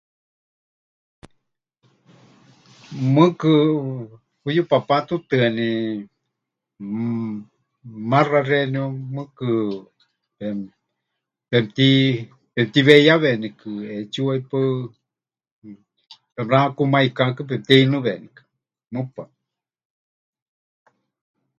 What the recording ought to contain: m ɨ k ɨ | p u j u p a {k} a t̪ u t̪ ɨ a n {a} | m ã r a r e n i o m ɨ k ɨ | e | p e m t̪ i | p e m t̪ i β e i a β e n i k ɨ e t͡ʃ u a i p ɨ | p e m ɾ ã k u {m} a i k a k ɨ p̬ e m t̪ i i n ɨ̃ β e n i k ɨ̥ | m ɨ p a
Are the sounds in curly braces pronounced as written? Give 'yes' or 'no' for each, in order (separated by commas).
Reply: no, no, yes